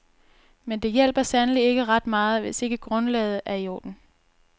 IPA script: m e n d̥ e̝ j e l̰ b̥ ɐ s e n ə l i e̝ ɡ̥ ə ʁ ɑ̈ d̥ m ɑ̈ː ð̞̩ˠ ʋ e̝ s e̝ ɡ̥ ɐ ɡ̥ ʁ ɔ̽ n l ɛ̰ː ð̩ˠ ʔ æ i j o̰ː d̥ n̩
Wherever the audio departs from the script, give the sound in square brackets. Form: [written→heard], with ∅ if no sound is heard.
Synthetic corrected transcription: m e n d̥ e̝ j e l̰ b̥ ɐ s [e→æ] n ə l i e̝ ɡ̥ ə ʁ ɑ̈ d̥ m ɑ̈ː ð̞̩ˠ ʋ e̝ s e̝ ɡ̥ [ɐ→ə] ɡ̥ ʁ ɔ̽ n l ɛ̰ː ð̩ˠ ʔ æ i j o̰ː d̥ n̩